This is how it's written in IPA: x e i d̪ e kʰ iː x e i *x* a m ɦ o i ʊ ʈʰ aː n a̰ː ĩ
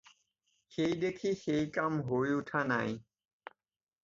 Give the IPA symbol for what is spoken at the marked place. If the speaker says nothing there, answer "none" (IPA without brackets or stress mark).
k